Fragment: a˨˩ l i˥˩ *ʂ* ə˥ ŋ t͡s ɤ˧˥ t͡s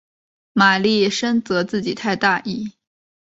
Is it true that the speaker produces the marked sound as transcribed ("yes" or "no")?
yes